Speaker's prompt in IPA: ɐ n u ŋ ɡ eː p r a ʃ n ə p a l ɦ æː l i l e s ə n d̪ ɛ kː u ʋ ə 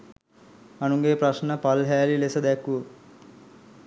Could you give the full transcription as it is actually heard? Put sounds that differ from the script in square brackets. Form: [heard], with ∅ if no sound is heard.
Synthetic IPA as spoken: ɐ n u ŋ ɡ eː p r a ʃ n ə p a l ɦ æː l i l e s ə [∅] d̪ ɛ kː u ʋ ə